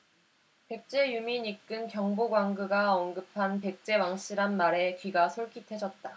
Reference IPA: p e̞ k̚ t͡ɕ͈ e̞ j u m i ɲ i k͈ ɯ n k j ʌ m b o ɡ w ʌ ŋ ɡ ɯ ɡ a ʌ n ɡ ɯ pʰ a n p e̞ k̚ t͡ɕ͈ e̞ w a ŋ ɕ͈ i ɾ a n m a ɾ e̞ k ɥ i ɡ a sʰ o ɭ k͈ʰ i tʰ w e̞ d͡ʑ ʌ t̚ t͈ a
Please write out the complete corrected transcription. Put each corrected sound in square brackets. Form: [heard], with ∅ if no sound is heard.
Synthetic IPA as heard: p e̞ k̚ t͡ɕ͈ e̞ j u m i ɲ i k͈ ɯ n k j ʌ [ŋ] b o ɡ w [a] ŋ ɡ ɯ ɡ a ʌ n ɡ ɯ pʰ a n p e̞ k̚ t͡ɕ͈ e̞ w a ŋ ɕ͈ i ɾ a n m a ɾ e̞ k ɥ i ɡ a sʰ o ɭ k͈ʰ i tʰ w e̞ d͡ʑ ʌ t̚ t͈ a